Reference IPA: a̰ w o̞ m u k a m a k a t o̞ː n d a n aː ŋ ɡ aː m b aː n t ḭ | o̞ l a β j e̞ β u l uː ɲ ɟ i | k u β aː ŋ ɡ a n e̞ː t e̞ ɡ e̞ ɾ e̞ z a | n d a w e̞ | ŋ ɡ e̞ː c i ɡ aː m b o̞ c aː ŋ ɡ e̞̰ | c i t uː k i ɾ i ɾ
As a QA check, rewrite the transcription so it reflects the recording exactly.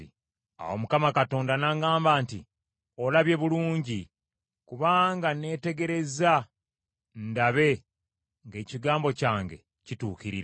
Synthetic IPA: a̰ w o̞ m u k a m a k a t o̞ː n d a n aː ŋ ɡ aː m b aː n t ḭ | o̞ l a β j e̞ β u l uː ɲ ɟ i | k u β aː ŋ ɡ a n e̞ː t e̞ ɡ e̞ ɾ e̞ z a | n d a β e̞ | ŋ ɡ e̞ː c i ɡ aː m b o̞ c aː ŋ ɡ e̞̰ | c i t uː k i ɾ i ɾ